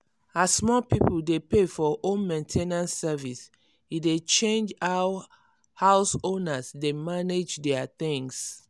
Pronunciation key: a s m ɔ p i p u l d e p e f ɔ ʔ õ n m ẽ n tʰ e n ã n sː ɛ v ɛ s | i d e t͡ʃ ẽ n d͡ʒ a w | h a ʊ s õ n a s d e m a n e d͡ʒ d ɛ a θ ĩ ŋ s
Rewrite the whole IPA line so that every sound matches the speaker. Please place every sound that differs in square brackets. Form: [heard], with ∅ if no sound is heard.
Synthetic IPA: a s m ɔ p i p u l d e p e f ɔ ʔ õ n m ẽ n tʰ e n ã n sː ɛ v [i] s | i d e t͡ʃ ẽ n d͡ʒ a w | h a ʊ s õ n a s d e m a n e d͡ʒ d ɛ a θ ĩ ŋ s